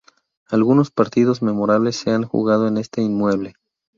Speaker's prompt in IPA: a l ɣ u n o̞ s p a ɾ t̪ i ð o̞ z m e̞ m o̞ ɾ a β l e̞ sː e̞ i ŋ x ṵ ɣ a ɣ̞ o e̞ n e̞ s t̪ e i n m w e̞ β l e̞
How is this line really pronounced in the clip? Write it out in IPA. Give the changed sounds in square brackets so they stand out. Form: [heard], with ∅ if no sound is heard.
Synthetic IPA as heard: a l ɣ u n o̞ s p a ɾ t̪ i ð o̞ z m e̞ m o̞ ɾ a β l e̞ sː e̞ [a] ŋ x ṵ ɣ a [ð̞] o e̞ n e̞ s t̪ e i n m w e̞ β l e̞